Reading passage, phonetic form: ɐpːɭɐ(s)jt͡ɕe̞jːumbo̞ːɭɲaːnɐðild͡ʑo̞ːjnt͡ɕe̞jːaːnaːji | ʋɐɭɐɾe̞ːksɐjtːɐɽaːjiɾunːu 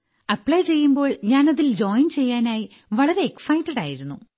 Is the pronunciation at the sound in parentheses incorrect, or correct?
incorrect